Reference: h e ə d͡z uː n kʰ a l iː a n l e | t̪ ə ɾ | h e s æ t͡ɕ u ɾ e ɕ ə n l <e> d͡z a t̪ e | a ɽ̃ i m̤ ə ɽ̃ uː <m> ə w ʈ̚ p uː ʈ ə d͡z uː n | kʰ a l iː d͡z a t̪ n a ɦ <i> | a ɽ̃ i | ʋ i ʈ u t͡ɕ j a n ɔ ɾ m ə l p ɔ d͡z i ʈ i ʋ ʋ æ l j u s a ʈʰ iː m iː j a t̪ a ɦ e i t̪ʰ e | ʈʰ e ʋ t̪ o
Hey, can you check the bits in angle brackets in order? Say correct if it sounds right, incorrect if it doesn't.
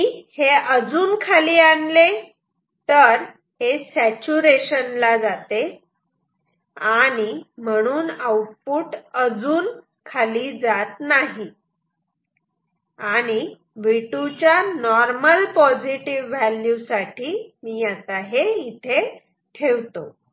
incorrect: a, incorrect: n, correct

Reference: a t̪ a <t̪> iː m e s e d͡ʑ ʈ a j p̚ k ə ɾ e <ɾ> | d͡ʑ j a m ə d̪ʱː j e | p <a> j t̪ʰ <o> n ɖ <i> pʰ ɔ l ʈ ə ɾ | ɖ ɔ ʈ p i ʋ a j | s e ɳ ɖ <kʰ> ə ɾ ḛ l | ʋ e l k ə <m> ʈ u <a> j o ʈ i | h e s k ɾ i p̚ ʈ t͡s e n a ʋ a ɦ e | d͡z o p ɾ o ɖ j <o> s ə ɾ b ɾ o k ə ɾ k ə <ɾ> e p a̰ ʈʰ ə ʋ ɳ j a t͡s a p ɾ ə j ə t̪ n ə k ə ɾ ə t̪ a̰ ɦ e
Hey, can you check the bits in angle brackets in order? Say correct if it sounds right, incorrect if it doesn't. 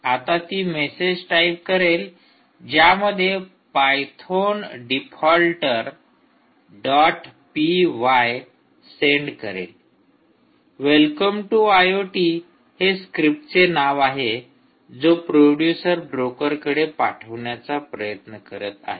correct, incorrect: l, correct, correct, correct, incorrect: k, correct, correct, incorrect: u, incorrect: ɽ

